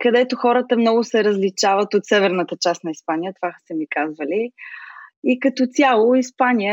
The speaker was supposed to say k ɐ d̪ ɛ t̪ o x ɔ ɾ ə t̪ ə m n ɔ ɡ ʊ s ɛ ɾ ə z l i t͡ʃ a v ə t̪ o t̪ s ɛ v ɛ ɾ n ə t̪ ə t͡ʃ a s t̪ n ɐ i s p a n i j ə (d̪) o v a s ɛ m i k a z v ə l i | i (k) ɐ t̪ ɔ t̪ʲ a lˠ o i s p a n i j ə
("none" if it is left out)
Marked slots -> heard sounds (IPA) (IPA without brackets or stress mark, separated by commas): t̪, k